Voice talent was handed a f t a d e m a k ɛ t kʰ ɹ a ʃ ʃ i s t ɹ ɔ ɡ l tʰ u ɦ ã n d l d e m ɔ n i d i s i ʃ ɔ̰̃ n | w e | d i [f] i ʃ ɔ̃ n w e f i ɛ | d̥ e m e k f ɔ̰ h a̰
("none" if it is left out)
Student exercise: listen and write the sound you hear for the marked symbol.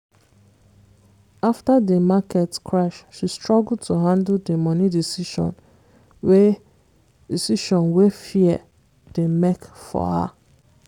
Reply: s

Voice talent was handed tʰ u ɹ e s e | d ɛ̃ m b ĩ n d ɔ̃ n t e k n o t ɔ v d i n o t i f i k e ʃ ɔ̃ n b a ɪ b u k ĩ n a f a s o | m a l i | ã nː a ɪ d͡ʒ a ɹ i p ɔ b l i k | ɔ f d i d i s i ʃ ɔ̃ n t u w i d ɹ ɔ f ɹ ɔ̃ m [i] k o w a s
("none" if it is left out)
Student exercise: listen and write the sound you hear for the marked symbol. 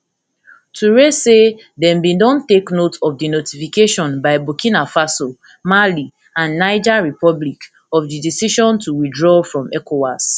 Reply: ɛ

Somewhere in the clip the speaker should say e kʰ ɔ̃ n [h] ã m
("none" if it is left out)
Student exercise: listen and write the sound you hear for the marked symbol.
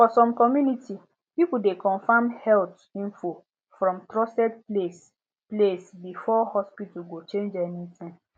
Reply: f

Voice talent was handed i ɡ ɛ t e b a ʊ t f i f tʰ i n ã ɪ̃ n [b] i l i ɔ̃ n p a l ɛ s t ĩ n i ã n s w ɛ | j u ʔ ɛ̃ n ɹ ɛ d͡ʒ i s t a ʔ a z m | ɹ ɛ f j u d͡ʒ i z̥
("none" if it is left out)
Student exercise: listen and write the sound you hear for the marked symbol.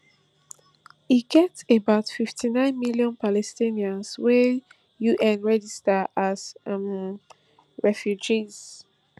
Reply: m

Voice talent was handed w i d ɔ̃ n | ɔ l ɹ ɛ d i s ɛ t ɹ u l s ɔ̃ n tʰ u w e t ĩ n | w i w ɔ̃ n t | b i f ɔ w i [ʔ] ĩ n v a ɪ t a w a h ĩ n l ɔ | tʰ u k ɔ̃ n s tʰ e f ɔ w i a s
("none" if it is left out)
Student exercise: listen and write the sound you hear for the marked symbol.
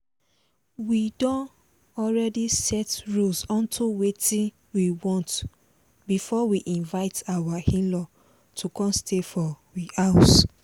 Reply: ʔ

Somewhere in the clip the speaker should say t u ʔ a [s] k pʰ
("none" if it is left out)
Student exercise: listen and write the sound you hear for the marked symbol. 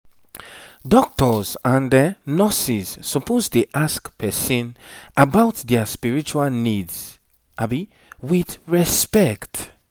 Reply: s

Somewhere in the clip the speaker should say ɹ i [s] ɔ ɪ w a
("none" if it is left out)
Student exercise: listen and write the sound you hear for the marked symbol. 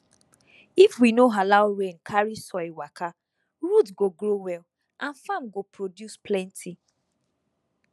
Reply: s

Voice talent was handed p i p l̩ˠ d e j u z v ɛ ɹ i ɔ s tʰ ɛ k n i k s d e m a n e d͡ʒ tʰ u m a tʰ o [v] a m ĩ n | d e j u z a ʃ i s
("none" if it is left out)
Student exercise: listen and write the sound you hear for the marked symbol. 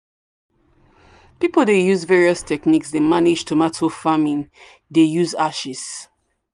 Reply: f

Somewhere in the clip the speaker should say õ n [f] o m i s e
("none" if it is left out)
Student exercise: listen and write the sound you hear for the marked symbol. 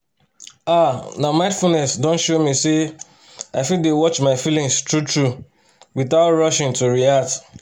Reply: ʃ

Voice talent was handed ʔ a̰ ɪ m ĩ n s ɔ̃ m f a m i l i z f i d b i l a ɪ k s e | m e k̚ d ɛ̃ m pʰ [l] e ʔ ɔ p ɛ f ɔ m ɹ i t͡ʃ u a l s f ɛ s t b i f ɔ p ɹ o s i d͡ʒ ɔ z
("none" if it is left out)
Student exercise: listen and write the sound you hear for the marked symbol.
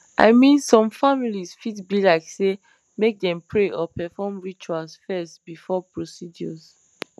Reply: ɹ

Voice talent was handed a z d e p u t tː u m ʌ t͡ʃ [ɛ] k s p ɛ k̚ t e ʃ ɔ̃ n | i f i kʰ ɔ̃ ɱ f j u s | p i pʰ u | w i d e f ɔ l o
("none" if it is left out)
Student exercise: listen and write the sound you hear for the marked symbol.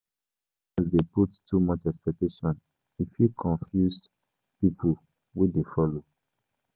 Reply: ɛ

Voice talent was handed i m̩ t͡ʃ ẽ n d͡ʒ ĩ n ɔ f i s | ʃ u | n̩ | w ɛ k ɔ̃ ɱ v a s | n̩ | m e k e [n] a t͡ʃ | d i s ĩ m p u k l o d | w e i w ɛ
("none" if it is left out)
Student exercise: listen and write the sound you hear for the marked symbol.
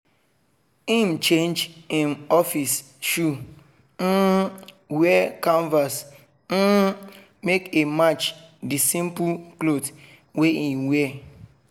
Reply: m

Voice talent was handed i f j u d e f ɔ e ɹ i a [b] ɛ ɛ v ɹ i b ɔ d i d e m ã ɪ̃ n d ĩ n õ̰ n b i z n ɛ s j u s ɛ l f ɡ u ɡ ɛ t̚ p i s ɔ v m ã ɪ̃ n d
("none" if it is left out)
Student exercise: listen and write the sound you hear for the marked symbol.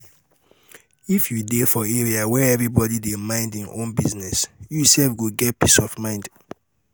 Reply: w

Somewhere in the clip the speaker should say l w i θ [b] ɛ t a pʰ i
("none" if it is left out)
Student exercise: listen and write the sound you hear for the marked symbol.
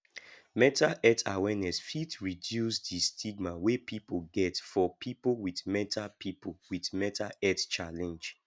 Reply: m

